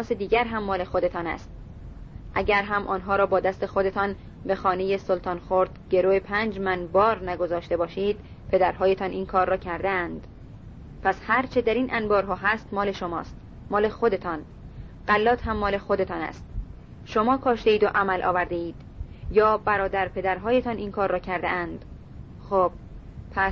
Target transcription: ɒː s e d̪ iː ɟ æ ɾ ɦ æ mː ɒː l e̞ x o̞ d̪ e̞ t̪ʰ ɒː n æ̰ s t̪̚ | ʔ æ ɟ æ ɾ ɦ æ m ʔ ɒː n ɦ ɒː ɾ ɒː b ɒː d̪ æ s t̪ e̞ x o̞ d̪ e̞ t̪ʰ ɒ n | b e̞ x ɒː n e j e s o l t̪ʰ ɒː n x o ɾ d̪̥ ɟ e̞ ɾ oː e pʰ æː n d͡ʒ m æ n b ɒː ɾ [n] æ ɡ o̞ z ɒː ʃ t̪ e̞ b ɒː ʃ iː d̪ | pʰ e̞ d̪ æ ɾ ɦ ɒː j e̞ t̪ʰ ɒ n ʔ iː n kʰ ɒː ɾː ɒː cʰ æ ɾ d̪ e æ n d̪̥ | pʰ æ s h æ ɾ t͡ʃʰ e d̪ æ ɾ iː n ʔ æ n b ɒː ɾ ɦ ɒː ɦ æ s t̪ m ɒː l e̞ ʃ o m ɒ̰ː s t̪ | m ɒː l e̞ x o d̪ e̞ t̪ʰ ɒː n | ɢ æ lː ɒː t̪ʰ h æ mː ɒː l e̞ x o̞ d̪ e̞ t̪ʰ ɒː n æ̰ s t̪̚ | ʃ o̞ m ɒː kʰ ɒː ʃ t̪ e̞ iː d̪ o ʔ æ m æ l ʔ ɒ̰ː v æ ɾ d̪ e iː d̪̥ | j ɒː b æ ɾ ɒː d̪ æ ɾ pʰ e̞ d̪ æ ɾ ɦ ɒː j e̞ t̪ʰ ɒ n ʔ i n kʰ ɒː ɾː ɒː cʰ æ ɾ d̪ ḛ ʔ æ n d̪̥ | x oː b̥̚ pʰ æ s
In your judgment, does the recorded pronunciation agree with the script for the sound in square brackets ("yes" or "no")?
yes